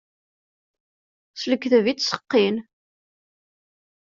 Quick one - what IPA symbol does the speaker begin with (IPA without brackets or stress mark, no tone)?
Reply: s